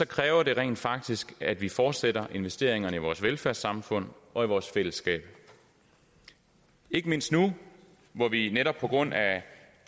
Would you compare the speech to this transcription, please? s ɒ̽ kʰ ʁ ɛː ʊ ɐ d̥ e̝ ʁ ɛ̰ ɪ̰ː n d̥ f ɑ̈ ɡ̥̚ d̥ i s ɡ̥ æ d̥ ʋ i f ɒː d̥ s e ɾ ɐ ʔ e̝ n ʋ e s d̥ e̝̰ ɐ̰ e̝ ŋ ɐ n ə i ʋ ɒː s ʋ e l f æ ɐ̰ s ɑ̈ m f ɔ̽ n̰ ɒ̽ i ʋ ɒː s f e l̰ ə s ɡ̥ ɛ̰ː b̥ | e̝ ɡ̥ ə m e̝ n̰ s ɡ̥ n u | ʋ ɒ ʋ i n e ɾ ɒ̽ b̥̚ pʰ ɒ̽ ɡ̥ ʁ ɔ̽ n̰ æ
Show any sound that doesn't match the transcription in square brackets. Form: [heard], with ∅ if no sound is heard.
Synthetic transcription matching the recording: s ɒ̽ kʰ ʁ ɛː ʊ ɐ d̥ e̝ ʁ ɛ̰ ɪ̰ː n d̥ f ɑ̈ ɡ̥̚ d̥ i s ɡ̥ æ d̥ ʋ i f ɒː d̥ s e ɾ ɐ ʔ e̝ n ʋ e s d̥ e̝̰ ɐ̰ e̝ ŋ ɐ n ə i ʋ ɒː s ʋ e l f æ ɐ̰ s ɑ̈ m f ɔ̽ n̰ ɒ̽ i ʋ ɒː s f e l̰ ə s ɡ̥ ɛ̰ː b̥ | e̝ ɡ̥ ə m e̝ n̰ s [d̥] n u | ʋ ɒ ʋ i n e ɾ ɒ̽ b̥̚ pʰ ɒ̽ ɡ̥ ʁ ɔ̽ n̰ æ

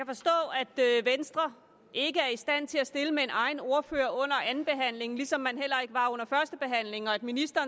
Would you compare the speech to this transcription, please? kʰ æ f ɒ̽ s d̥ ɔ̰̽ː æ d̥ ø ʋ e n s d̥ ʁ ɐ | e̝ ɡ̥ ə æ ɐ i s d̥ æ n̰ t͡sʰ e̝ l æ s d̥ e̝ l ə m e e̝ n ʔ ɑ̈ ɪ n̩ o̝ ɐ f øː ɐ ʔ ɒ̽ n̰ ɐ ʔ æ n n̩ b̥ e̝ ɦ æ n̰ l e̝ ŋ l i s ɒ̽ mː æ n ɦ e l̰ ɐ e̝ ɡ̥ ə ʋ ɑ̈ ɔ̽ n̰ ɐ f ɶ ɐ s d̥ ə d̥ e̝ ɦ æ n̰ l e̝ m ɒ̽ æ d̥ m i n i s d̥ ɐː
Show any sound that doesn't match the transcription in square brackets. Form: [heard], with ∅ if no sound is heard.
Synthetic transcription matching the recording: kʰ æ f ɒ̽ s d̥ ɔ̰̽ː æ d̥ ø ʋ e n s d̥ ʁ ɐ | e̝ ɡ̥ ə æ ɐ i s d̥ æ n̰ t͡sʰ e̝ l æ s d̥ e̝ l ə m e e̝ n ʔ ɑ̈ ɪ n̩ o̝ ɐ f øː ɐ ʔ [ɔ̽] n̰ ɐ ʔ æ n n̩ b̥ e̝ ɦ æ n̰ l e̝ ŋ l i s ɒ̽ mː æ n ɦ e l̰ ɐ e̝ ɡ̥ ə ʋ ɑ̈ ɔ̽ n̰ ɐ f ɶ ɐ s d̥ ə [b̥] e̝ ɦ æ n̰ l e̝ [ŋ] ɒ̽ æ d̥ m i n i s d̥ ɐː

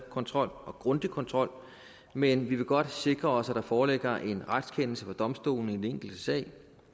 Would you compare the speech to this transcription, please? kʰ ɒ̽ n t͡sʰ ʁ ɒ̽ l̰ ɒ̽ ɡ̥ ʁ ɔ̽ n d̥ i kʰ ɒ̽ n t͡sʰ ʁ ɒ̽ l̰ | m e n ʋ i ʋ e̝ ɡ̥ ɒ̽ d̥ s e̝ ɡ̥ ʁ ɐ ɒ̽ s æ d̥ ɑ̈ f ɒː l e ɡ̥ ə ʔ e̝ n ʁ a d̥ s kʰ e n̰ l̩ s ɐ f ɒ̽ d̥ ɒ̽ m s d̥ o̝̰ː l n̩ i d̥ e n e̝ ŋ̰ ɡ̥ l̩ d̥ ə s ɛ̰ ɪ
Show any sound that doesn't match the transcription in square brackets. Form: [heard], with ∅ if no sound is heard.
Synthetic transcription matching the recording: kʰ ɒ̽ n t͡sʰ ʁ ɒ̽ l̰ ɒ̽ ɡ̥ ʁ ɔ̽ n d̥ i kʰ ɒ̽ n t͡sʰ ʁ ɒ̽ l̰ | m e n ʋ i ʋ e̝ ɡ̥ ɒ̽ d̥ s e̝ ɡ̥ ʁ ɐ ɒ̽ s æ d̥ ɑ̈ f ɒː l e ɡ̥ [ɐ] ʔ e̝ n ʁ a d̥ s kʰ e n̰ l̩ s [ə] f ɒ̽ d̥ ɒ̽ m s d̥ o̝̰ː l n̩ i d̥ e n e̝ ŋ̰ ɡ̥ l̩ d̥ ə s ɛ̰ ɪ

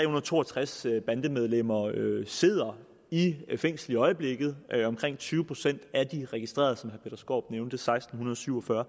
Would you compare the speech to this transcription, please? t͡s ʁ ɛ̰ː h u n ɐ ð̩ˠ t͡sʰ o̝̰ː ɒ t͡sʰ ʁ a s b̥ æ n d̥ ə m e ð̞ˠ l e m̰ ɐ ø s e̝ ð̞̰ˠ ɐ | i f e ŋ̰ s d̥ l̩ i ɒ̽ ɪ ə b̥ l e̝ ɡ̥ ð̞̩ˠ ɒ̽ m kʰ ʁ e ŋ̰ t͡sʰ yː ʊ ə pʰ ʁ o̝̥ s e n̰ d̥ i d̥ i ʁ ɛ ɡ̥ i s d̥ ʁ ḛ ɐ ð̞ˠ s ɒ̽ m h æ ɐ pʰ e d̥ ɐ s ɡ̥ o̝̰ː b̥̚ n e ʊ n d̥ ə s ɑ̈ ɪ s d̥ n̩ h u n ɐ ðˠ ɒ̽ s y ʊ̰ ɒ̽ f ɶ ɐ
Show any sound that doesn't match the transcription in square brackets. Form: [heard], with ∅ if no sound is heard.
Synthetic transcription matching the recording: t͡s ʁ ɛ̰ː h u n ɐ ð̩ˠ t͡sʰ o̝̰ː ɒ t͡sʰ ʁ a s b̥ æ n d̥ ə m e ð̞ˠ l e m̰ ɐ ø s e̝ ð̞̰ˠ ɐ | i f e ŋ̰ s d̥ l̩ i ɒ̽ ɪ ə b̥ l e̝ ɡ̥ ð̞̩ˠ ɒ̽ m kʰ ʁ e ŋ̰ t͡sʰ yː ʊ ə pʰ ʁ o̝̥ s e n̰ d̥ [æ] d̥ i ʁ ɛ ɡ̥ i s d̥ ʁ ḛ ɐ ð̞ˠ s ɒ̽ m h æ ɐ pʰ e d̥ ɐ s ɡ̥ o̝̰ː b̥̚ n e ʊ n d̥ ə s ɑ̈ ɪ s d̥ n̩ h u n ɐ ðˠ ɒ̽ s y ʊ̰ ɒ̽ f ɶ ɐ

